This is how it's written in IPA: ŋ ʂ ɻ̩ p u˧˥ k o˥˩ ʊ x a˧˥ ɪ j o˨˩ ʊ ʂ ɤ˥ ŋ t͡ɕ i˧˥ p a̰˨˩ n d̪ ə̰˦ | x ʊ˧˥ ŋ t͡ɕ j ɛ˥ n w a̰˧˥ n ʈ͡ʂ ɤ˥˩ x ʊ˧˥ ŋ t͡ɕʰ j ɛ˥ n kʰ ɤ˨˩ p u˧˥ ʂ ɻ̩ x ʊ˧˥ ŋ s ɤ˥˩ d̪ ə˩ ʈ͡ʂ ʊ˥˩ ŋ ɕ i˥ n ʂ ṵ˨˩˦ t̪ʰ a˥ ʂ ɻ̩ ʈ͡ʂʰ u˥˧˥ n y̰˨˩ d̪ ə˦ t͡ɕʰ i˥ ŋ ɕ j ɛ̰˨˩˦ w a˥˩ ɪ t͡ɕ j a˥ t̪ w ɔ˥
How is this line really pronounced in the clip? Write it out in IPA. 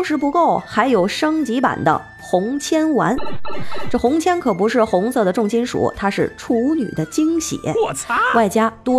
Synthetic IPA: ŋ ʂ ɻ̩ p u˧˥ k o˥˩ ʊ x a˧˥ ɪ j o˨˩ ʊ ʂ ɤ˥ ŋ t͡ɕ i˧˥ p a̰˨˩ n d̪ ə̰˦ | x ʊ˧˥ ŋ t͡ɕʰ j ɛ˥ n w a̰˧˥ n ʈ͡ʂ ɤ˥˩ x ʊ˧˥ ŋ t͡ɕʰ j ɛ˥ n kʰ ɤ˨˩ p u˧˥ ʂ ɻ̩ x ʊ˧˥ ŋ s ɤ˥˩ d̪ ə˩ ʈ͡ʂ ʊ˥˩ ŋ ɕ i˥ n ʂ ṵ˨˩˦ t̪ʰ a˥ ʂ ɻ̩ ʈ͡ʂʰ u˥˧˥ n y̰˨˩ d̪ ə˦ t͡ɕ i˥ ŋ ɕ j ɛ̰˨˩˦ w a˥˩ ɪ t͡ɕ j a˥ t̪ w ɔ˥